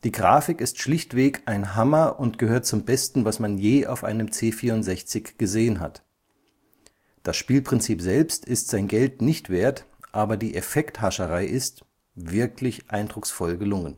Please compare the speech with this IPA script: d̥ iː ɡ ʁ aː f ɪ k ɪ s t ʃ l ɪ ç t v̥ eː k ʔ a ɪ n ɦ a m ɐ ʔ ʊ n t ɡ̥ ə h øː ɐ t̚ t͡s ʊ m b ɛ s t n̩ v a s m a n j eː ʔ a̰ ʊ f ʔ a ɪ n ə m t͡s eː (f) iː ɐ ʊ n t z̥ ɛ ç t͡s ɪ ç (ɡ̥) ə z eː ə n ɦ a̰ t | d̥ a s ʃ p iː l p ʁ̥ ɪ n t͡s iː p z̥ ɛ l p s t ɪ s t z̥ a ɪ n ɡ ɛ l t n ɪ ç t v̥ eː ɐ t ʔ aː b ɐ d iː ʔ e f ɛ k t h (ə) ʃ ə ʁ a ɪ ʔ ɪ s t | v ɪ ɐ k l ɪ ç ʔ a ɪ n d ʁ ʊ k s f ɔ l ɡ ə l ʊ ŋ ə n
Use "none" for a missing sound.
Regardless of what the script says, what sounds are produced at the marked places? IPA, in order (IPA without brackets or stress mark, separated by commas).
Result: f, ɡ̥, a